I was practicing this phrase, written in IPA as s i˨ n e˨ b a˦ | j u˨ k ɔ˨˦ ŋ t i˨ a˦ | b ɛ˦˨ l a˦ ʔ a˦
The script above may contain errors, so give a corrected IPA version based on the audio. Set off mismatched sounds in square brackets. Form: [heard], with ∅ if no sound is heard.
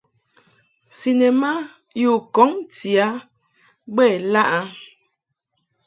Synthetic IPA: s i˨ n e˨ [m] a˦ | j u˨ k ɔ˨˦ ŋ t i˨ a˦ | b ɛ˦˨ l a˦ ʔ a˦